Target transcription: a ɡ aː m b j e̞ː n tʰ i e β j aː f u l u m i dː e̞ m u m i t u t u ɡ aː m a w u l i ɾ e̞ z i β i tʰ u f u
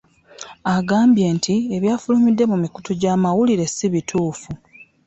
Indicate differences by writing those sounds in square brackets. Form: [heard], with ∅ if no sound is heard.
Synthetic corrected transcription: a ɡ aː m b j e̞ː n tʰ i e β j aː f u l u m i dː e̞ m u m i [k] u t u [ɟ] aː m a w u l i ɾ e̞ [s] i β i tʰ [uː] f u